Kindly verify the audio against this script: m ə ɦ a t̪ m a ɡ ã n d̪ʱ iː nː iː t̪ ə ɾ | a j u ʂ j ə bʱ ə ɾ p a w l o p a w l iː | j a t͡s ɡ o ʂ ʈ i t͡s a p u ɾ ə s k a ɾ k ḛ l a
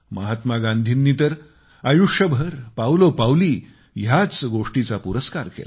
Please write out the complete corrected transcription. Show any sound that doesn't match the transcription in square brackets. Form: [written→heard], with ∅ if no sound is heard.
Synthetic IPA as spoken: m ə ɦ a t̪ m a ɡ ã n d̪ʱ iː nː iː t̪ ə ɾ | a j u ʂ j ə bʱ ə ɾ p a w l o p a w l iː | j a t͡s ɡ o ʂ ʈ i t͡s a p u ɾ ə s k a ɾ k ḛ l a